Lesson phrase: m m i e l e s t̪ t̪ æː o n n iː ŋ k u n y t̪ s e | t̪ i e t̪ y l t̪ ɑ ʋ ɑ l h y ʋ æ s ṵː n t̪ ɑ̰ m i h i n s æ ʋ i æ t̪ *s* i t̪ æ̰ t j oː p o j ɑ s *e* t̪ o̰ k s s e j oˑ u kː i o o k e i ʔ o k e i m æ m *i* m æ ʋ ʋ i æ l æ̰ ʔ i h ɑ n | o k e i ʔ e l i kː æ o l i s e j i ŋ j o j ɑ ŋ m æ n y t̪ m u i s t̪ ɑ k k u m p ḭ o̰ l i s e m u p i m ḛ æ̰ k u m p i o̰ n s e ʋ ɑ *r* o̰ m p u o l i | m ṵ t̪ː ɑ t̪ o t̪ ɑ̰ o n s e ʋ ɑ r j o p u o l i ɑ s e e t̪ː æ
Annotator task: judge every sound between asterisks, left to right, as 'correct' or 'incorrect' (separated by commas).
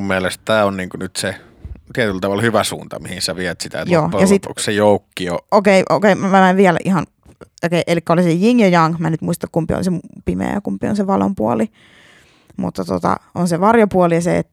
correct, incorrect, incorrect, incorrect